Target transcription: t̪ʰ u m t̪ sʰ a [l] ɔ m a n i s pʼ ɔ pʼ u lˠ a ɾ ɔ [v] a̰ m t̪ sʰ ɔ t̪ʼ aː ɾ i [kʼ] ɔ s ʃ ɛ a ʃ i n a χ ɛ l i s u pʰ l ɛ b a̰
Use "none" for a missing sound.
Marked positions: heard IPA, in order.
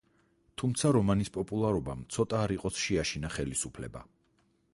ɾ, b, qʼ

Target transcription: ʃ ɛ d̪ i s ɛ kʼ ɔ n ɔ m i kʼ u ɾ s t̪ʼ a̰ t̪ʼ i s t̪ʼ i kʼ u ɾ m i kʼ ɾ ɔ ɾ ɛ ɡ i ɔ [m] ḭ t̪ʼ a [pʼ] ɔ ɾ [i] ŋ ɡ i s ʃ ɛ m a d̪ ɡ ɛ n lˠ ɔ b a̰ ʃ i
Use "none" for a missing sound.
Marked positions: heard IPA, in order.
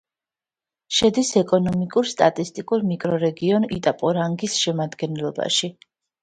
n, pʼ, a

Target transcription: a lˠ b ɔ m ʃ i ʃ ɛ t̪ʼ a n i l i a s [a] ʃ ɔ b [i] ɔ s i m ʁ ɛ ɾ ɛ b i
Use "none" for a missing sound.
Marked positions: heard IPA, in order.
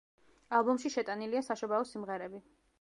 a, a

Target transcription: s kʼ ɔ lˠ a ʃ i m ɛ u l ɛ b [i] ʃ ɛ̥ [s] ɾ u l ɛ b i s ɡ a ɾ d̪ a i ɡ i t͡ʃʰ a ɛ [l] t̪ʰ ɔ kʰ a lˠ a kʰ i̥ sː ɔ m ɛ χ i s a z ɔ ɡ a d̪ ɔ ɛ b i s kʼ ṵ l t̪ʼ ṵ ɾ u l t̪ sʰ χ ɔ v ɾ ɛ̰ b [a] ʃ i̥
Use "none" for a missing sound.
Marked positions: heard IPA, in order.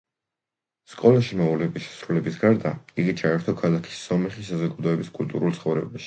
i, s, ɾ, a

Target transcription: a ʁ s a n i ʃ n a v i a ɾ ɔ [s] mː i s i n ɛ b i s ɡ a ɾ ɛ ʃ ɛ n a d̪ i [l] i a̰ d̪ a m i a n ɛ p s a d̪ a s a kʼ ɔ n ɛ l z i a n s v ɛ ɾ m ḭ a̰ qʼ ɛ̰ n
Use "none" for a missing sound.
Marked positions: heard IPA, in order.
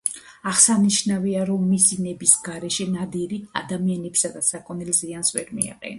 none, ɾ

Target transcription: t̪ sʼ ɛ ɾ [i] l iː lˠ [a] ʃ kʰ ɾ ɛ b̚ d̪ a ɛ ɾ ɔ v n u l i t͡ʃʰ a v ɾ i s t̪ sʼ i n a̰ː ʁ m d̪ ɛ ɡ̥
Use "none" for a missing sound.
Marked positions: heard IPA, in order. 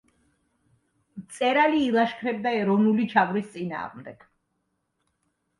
a, a

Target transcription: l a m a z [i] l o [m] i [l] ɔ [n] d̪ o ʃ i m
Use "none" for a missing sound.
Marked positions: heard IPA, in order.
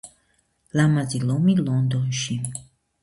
i, m, l, n

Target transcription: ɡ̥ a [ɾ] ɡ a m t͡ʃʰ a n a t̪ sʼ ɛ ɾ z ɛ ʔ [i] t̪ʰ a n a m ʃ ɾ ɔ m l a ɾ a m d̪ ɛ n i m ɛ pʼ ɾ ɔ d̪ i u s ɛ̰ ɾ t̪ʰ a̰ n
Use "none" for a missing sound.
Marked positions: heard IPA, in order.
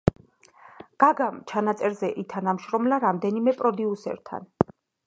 none, i

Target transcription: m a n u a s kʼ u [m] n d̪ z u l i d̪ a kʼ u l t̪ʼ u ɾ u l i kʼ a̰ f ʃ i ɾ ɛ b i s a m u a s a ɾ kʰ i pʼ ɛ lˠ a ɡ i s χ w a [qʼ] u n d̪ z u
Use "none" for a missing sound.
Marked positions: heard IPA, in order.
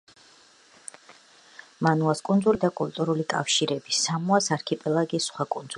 none, kʼ

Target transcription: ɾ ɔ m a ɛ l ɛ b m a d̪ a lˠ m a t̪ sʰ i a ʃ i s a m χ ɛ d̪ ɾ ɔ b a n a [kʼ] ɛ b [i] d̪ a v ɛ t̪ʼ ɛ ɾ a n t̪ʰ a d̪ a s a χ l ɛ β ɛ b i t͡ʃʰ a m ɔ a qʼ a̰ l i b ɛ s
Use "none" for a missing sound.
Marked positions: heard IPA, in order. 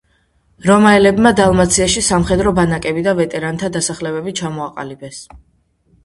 kʼ, i

